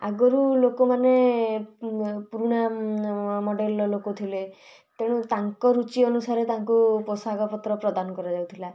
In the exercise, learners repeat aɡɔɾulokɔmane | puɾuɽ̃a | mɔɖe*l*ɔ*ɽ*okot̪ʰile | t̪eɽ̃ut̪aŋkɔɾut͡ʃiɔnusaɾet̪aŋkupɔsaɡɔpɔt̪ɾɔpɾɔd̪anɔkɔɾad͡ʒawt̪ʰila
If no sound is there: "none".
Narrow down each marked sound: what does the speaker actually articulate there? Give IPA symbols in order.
l, l

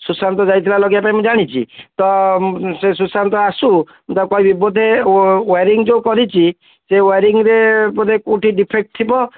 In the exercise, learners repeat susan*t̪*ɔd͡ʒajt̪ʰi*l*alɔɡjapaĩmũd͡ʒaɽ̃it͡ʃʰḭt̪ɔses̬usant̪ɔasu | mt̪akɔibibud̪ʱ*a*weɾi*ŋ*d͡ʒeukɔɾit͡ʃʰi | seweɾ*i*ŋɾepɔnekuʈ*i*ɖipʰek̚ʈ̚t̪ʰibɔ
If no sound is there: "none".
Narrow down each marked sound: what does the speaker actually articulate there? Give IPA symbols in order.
t̪, l, e, ŋ, i, i

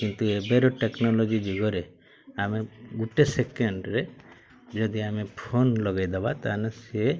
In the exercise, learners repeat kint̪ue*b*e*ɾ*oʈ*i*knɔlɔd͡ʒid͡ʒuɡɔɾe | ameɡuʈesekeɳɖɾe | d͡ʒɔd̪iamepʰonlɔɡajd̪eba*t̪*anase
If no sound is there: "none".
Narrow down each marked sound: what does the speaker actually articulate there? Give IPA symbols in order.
b, ɾ, e, t̪

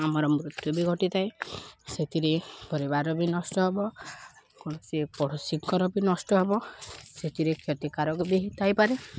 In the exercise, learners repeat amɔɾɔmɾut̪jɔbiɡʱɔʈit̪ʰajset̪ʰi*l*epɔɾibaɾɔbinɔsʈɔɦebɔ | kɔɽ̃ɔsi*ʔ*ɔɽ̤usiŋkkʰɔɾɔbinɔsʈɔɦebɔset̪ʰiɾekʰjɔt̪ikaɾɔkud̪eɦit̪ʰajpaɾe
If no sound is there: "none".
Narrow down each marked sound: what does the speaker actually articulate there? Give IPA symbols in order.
ɾ, p

